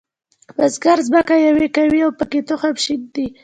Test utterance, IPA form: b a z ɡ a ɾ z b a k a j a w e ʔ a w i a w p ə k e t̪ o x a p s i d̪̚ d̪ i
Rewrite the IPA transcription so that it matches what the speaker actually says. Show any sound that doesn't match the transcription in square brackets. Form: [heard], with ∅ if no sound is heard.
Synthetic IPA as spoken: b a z ɡ a ɾ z b a k a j a w e [k] a w i a w p ə k e t̪ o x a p [ʃ] i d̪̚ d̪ i